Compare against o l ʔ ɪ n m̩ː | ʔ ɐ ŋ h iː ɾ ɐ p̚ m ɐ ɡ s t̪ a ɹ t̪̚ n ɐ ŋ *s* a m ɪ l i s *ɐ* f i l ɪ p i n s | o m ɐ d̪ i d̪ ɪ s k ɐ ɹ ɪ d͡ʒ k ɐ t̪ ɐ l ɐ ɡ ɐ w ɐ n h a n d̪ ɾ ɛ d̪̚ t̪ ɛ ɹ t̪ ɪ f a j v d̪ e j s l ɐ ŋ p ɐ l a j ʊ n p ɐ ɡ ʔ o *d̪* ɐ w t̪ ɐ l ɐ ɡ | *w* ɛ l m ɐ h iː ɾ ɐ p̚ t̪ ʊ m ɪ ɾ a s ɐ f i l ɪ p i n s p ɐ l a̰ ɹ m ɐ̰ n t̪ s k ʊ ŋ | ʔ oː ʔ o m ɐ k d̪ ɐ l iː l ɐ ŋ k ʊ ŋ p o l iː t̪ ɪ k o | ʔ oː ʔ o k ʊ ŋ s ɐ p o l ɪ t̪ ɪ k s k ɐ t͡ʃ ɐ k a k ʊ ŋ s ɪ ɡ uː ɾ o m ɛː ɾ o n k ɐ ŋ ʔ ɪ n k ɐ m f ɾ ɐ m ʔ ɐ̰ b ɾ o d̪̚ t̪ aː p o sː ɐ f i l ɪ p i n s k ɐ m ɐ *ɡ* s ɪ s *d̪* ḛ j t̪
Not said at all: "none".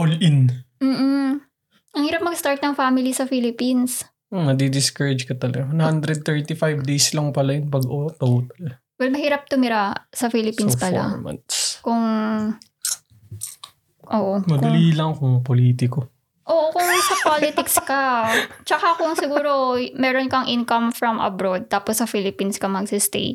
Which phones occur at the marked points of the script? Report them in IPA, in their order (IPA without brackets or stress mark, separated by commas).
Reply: f, ɐ, t̪, w, ɡ, t̪